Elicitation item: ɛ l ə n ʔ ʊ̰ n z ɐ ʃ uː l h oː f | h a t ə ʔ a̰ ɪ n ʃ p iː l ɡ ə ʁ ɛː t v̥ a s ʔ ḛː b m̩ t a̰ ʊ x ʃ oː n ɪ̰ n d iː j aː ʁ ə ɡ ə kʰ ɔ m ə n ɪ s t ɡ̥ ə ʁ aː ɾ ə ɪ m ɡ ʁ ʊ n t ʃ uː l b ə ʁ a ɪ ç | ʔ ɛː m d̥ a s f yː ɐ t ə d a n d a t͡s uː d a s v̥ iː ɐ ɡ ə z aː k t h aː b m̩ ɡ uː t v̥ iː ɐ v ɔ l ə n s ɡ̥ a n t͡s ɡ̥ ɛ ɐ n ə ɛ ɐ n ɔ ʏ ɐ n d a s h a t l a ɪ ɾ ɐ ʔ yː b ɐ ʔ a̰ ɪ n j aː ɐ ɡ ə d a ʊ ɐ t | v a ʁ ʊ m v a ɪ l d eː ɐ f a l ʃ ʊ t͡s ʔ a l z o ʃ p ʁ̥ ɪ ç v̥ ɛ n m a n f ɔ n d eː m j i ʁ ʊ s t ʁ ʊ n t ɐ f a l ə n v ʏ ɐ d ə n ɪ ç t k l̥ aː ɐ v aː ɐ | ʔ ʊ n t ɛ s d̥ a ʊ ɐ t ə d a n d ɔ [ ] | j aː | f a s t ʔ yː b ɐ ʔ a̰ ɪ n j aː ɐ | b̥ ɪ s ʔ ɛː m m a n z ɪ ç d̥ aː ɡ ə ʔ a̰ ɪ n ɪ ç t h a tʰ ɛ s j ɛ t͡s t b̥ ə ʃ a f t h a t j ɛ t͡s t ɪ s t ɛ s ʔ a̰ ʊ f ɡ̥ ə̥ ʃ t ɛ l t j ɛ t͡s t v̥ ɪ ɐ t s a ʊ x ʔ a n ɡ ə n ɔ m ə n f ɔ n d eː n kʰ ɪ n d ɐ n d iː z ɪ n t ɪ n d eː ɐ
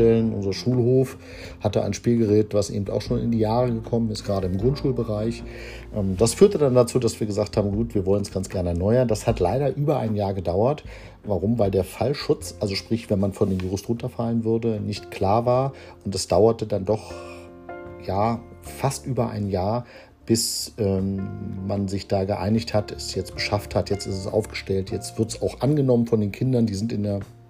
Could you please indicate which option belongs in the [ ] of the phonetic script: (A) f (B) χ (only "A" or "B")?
B